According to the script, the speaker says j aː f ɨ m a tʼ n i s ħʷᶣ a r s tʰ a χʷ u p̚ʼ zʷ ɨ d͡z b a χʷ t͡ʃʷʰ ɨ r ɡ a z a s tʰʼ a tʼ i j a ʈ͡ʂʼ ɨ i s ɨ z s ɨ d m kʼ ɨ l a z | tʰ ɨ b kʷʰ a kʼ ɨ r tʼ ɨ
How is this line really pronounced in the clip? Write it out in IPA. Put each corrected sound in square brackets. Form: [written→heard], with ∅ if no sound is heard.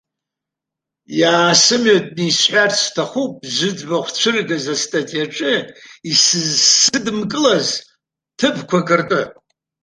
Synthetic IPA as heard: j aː [f→s] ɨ m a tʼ n i s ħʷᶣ a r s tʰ a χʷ u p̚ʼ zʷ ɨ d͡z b a χʷ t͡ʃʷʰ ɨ r ɡ a z a s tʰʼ a tʼ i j a ʈ͡ʂʼ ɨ i s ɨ z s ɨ d m kʼ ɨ l a z | tʰ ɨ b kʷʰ a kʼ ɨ r tʼ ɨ